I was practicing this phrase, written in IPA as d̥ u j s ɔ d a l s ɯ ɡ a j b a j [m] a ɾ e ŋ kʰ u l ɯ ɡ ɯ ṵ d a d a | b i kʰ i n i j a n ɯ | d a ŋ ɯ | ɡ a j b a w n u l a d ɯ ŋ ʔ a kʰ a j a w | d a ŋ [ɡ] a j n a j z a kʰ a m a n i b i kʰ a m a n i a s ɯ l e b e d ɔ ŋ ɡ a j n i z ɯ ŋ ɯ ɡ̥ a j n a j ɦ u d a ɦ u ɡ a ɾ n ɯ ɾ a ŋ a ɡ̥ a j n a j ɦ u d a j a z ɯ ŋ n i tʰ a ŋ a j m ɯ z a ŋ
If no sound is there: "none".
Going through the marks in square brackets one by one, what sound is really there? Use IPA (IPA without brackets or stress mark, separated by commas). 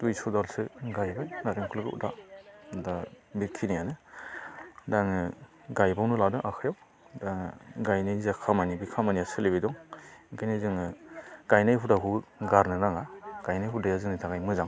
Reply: n, ɡ